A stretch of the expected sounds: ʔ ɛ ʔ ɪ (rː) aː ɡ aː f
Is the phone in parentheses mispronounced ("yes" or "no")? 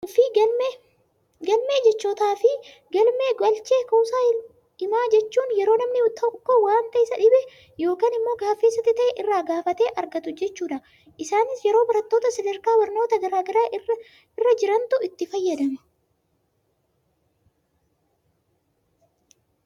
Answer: no